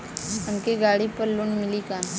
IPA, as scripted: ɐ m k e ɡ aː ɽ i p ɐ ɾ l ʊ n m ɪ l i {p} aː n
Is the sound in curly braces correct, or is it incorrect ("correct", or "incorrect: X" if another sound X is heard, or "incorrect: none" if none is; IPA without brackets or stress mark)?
incorrect: k